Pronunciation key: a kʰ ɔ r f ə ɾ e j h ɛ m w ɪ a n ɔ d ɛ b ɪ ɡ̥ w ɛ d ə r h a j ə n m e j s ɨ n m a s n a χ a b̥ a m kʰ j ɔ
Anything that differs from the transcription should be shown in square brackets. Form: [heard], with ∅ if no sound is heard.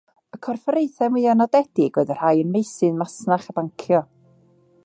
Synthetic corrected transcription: [ə] kʰ ɔ r f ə ɾ e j [θ] ɛ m w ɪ a n ɔ d ɛ [d] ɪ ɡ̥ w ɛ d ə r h a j ə n m e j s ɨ n m a s n a χ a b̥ a [ŋ] kʰ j ɔ

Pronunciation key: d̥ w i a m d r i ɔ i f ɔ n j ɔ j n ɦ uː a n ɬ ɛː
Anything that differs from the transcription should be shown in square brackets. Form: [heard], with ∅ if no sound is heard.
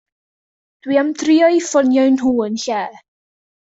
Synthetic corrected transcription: d̥ w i a m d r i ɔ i f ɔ n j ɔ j n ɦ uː [ə] n ɬ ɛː

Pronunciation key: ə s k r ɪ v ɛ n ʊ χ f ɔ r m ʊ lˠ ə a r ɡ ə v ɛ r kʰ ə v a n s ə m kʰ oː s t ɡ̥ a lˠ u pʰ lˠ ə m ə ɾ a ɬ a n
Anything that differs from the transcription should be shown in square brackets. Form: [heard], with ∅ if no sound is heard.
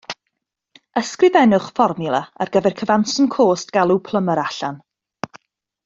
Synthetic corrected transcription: ə s k r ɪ v ɛ n ʊ χ f ɔ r m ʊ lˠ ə a r ɡ ə v ɛ r kʰ ə v a n s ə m kʰ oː s t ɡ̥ a lˠ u pʰ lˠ ə m ə ɾ a ɬ a n

